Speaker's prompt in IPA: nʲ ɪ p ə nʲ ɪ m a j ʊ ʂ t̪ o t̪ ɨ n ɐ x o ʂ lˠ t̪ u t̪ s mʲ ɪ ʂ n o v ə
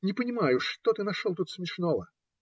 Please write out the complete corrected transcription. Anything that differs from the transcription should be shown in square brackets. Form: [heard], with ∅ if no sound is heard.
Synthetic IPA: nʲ ɪ p ə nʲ ɪ m a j ʊ ʂ t̪ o t̪ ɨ n ɐ [ʂ] o [∅] lˠ t̪ u t̪ s mʲ ɪ ʂ n o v ə